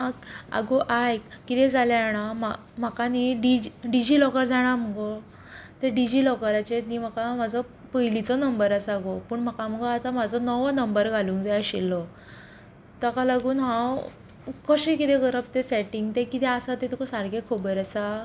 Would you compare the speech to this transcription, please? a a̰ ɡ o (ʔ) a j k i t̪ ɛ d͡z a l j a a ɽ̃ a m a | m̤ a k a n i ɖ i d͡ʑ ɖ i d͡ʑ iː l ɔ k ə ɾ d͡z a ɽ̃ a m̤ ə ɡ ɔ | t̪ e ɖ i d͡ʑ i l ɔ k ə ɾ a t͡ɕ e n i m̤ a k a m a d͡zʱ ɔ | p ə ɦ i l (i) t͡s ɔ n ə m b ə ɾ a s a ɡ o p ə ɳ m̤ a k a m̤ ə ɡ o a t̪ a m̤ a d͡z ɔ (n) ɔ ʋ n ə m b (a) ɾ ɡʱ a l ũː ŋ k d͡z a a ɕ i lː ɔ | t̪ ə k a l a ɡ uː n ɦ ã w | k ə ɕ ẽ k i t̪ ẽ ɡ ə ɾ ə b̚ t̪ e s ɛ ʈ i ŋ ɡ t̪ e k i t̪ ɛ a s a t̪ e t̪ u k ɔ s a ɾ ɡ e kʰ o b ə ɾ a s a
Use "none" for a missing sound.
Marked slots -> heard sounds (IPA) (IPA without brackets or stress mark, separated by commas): ʔ, i, n, ə